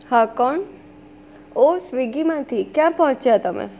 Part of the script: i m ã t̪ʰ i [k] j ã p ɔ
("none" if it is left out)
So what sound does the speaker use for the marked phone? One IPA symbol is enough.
k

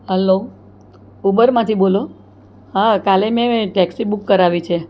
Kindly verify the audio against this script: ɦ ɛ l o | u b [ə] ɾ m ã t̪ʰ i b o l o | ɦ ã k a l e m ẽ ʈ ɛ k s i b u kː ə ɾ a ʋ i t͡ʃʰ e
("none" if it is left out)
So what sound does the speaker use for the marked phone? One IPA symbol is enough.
ə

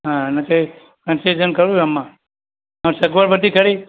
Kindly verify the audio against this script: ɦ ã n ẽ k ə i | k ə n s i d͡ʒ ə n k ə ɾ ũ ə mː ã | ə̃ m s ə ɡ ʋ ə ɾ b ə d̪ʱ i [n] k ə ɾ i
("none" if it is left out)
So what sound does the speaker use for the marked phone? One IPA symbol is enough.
none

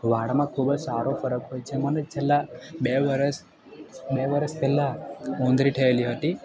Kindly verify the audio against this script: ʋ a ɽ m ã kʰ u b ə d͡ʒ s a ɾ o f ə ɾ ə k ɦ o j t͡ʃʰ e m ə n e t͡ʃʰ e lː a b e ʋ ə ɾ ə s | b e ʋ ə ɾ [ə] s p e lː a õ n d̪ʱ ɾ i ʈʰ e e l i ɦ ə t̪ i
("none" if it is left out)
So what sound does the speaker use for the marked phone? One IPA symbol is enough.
ə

